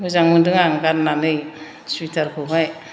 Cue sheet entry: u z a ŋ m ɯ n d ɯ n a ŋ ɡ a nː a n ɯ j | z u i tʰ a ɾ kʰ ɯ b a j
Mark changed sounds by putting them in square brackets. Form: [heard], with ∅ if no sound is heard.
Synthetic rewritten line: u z a ŋ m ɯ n d ɯ [ŋ] a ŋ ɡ a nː a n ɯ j | [s] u i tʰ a ɾ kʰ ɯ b a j